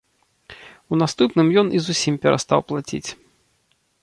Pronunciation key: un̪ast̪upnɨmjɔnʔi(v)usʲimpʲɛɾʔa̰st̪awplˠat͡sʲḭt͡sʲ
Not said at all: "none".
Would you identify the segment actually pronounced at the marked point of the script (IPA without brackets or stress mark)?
z